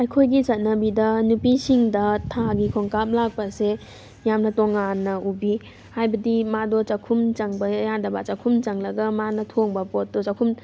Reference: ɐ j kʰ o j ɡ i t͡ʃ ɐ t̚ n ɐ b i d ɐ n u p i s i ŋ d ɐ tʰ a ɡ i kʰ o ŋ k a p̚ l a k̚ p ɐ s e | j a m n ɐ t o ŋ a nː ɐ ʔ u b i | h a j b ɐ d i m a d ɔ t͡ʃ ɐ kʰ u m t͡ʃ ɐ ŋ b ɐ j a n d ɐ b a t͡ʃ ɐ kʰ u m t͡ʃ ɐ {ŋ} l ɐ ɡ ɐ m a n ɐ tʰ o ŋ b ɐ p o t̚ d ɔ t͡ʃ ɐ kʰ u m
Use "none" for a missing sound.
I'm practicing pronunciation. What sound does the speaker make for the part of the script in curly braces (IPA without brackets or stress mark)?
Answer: ŋ